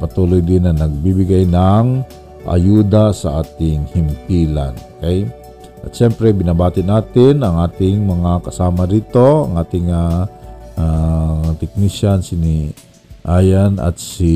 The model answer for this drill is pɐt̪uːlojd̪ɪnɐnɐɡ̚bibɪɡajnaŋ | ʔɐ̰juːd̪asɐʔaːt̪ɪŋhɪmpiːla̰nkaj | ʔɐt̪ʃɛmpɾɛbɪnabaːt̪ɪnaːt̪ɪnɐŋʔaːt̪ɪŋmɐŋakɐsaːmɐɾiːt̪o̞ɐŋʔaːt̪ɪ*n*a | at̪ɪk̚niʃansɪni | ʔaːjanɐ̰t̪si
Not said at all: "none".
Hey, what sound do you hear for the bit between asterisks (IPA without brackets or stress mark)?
ŋ